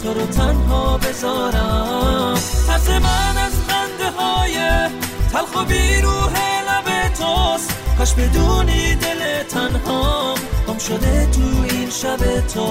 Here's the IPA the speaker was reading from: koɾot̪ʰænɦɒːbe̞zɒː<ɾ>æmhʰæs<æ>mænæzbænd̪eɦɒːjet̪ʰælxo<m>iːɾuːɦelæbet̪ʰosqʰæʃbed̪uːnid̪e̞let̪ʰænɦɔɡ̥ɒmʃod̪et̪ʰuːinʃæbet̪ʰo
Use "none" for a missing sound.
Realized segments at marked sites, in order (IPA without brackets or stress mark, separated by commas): ɾ, e, b